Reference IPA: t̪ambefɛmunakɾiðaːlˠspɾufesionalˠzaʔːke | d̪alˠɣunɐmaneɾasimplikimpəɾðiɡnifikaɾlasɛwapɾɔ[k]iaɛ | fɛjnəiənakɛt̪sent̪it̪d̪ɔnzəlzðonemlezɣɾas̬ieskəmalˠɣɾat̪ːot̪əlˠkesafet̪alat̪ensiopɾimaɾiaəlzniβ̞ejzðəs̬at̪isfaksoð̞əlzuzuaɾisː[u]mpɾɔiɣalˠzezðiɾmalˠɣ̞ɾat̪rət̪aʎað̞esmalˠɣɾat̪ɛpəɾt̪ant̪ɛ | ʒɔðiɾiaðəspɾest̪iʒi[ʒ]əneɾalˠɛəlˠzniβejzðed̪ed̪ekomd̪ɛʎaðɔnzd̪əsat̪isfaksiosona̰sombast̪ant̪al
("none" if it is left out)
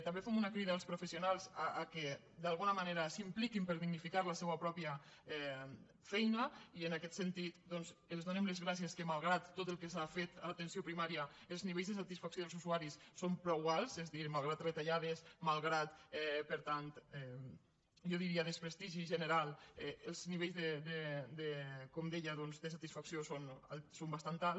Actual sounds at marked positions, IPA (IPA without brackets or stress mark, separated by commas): p, o, ʒ